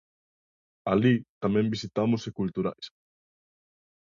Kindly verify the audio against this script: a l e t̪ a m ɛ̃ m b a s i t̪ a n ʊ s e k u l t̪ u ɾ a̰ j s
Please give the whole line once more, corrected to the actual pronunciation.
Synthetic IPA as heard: a l i t̪ a m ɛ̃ m b i s i t̪ a m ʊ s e k u l t̪ u ɾ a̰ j s